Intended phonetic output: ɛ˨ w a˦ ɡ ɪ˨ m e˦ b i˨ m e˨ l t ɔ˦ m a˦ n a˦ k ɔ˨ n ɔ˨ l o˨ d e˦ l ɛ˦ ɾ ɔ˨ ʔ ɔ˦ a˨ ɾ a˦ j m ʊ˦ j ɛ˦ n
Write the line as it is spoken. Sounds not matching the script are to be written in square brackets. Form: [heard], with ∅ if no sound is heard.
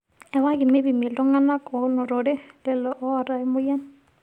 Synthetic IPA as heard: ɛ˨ w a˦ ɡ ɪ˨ m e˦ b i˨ m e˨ l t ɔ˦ [ŋ] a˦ n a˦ k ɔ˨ n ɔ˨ [ɾ] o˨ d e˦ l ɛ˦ [l] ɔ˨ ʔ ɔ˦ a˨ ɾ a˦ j m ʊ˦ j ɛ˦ n